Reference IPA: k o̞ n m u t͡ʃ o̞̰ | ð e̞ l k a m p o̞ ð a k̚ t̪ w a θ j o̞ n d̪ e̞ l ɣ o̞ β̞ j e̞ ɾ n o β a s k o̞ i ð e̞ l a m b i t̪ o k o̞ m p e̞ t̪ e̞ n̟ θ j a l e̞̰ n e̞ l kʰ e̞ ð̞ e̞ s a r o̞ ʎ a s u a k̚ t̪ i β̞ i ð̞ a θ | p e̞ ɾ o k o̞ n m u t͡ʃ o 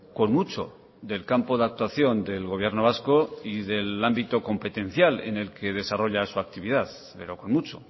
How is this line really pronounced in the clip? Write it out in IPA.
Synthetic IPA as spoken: k o̞ n m u t͡ʃ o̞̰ | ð e̞ l k a m p o̞ ð a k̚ t̪ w a θ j o̞ n d̪ e̞ l ɣ o̞ β̞ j e̞ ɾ n o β a s k o̞ i ð e̞ l a m b i t̪ o k o̞ m p e̞ t̪ e̞ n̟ θ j a l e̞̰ n e̞ l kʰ e̞ ð̞ e̞ s a r o̞ ʎ a s u a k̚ t̪ i β̞ i ð̞ a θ | p e̞ ɾ o k o̞ n m u t͡ʃ o

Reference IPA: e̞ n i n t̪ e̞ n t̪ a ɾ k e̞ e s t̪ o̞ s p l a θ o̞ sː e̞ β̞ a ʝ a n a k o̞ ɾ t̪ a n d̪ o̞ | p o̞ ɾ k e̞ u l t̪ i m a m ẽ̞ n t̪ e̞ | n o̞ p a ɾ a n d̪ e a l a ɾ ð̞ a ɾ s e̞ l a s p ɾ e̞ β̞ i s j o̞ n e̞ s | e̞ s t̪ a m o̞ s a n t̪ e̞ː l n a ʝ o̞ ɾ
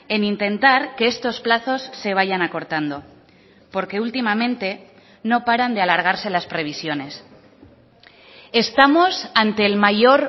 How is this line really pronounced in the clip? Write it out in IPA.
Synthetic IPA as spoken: e̞ n i n t̪ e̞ n t̪ a ɾ k e̞ e s t̪ o̞ s p l a θ o̞ sː e̞ β̞ a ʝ a n a k o̞ ɾ t̪ a n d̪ o̞ | p o̞ ɾ k e̞ u l t̪ i m a m ẽ̞ n t̪ e̞ | n o̞ p a ɾ a n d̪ e a l a ɾ ɣ̞ a ɾ s e̞ l a s p ɾ e̞ β̞ i s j o̞ n e̞ s | e̞ s t̪ a m o̞ s a n t̪ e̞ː l m a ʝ o̞ ɾ

